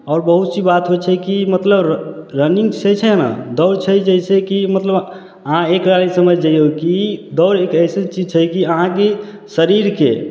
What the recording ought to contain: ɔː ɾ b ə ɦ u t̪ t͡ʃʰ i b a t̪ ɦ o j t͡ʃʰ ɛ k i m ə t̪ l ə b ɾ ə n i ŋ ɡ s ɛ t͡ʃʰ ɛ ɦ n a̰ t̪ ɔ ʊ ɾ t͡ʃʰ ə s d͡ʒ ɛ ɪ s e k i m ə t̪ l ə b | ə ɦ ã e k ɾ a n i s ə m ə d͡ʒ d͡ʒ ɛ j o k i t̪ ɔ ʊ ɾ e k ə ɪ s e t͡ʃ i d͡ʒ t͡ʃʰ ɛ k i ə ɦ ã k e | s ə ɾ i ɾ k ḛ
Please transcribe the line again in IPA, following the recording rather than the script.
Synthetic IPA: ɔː ɾ b ə ɦ u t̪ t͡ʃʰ i b a t̪ ɦ o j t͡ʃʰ ɛ k i m ə t̪ l ə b ɾ ə n i ŋ ɡ s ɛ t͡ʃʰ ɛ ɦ n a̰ d̪ ɔ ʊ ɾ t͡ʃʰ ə d͡ʒ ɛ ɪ s e k i m ə t̪ l ə b | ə ɦ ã e k ɾ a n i s ə m ə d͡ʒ d͡ʒ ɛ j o k i d̪ ɔ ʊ ɾ e k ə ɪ s e t͡ʃ i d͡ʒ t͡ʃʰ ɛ k i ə ɦ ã k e | s ə ɾ i ɾ k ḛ